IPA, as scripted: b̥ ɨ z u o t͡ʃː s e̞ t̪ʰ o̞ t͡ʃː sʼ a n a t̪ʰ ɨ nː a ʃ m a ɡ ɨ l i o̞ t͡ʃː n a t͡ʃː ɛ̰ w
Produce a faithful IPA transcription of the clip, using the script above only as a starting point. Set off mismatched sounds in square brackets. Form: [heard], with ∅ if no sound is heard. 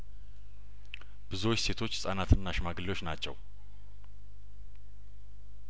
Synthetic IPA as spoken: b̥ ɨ z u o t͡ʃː s e̞ t̪ʰ o̞ t͡ʃː sʼ a n a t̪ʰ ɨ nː a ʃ m a ɡ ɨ l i o̞ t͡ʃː n a t͡ʃː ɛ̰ w

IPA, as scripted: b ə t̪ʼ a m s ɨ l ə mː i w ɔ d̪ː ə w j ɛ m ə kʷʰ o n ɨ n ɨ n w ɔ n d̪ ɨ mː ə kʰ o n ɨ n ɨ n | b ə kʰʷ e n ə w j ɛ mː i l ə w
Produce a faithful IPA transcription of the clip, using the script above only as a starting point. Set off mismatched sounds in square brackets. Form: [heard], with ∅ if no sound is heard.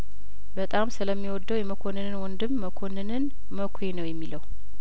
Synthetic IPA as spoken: b ə t̪ʼ a m s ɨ l ə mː i w ɔ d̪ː ə w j ɛ m ə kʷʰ o n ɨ n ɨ n w ɔ n d̪ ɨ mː ə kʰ o n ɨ n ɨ n | [m] ə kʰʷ e n ə w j ɛ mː i l ə w

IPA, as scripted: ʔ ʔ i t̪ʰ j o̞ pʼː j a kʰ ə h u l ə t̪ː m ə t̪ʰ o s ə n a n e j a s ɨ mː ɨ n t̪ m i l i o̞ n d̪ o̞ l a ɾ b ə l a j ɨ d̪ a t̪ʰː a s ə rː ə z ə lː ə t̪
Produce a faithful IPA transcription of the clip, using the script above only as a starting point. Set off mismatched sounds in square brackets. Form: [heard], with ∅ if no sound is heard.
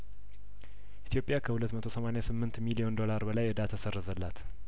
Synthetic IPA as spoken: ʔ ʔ i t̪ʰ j o̞ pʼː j a kʰ ə h u l ə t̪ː m ə t̪ʰ o s ə [m] a n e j a s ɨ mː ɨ n t̪ m i l i o̞ n d̪ o̞ l a ɾ b ə l a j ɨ d̪ a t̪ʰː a s ə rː ə z ə lː [a] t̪

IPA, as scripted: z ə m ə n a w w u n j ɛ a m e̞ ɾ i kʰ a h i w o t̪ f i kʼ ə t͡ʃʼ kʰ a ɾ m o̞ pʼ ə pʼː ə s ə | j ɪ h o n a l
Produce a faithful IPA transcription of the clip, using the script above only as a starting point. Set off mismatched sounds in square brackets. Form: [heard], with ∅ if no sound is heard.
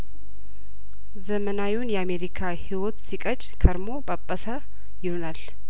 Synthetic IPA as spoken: z ə m ə n a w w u n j ɛ a m e̞ ɾ i kʰ a h i w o t̪ [s] i kʼ ə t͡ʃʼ kʰ [ə] ɾ m o̞ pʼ ə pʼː ə s ə | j ɪ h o n a l

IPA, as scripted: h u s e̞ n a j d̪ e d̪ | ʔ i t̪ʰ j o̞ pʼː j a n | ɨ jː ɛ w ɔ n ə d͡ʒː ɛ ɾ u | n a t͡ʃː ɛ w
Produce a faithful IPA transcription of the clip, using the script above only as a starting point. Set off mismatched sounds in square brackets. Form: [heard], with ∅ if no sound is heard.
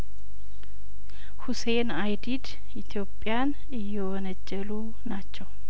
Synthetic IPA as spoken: h u s e̞ n a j d̪ [i] d̪ | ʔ i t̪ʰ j o̞ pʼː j a n | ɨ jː ɛ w ɔ n ə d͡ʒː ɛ [l] u | n a t͡ʃː ɛ w

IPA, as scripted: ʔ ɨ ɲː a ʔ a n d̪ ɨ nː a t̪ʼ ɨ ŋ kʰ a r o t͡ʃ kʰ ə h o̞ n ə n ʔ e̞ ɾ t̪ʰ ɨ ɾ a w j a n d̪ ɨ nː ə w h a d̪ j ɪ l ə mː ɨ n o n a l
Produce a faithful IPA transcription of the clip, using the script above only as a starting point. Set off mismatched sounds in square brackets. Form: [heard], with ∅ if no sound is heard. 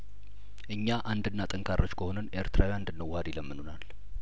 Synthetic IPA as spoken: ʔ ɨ ɲː a ʔ a n d̪ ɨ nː a t̪ʼ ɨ ŋ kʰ a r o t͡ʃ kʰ ə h o̞ n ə n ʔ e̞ ɾ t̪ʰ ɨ ɾ a w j a n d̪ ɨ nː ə w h a d̪ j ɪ l ə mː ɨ n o n a l

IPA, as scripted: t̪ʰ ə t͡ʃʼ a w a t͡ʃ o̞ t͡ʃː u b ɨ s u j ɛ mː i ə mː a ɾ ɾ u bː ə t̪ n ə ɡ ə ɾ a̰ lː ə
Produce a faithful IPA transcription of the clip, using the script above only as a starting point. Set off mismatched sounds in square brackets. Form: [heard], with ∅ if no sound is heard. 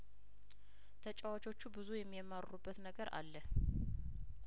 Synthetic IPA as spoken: t̪ʰ ə t͡ʃʼ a w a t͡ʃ o̞ t͡ʃː u b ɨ [z] u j ɛ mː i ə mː a ɾ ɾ u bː ə t̪ n ə ɡ ə ɾ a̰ lː ə

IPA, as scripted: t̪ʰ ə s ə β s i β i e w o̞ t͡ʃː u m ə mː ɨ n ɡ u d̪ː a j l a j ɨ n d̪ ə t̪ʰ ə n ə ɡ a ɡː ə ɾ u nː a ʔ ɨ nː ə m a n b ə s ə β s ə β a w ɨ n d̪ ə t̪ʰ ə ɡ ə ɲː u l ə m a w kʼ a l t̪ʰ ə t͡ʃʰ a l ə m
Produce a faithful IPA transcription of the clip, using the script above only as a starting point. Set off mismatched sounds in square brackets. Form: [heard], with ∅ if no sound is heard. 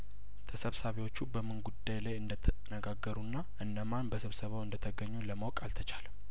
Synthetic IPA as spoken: t̪ʰ ə s ə β s [a] β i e w o̞ t͡ʃː u [b] ə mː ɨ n ɡ u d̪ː a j l a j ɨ n d̪ ə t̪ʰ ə n ə ɡ a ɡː ə ɾ u nː a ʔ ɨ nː ə m a n b ə s ə β s ə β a w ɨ n d̪ ə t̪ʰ ə ɡ ə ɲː u l ə m a w kʼ a l t̪ʰ ə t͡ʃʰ a l ə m

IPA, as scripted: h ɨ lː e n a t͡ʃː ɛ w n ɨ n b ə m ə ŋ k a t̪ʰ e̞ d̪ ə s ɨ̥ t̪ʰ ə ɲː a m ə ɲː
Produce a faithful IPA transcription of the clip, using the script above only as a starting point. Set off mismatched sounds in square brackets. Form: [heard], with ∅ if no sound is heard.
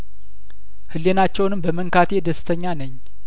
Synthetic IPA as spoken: h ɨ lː e n a t͡ʃː ɛ w n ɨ [m] b ə m ə ŋ k a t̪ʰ e̞ d̪ ə s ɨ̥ t̪ʰ ə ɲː a [n] ə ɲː

